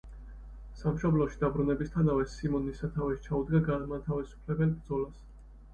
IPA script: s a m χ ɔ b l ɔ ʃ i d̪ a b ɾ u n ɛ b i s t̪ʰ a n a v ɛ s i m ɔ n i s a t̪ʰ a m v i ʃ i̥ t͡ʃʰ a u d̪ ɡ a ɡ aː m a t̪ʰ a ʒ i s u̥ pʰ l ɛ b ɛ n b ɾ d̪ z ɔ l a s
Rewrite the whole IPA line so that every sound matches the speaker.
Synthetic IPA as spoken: s a m ʃ ɔ b l ɔ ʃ i d̪ a b ɾ u n ɛ b i s t̪ʰ a n a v ɛ s i m ɔ n i s a t̪ʰ a v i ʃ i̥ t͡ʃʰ a u d̪ ɡ a ɡ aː m a t̪ʰ a v i s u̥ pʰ l ɛ b ɛ n b ɾ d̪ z ɔ l a s